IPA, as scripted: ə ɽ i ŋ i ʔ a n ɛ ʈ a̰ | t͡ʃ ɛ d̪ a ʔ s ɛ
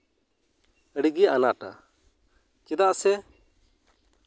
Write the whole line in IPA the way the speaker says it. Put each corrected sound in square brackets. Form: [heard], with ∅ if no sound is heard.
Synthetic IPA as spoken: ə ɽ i [ɡ] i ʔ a n [a] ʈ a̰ | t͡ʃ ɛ d̪ a ʔ s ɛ